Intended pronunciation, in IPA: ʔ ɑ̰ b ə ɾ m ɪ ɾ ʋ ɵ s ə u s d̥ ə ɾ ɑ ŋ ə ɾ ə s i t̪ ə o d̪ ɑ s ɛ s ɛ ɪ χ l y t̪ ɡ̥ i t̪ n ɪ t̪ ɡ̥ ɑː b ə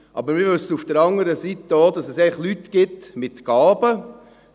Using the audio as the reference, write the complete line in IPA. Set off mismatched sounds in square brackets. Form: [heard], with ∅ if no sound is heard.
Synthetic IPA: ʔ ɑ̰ b ə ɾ m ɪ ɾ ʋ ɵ s ə u [f] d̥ ə ɾ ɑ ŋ ə ɾ ə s i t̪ ə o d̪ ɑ s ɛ s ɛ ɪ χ l y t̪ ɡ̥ [ɪ] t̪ [m] ɪ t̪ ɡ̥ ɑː b ə